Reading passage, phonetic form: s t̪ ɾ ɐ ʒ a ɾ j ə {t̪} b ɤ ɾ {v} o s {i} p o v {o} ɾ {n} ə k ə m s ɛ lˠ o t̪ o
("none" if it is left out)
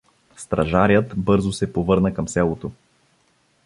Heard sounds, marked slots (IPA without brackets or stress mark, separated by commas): t̪, z, ɛ, ɤ, n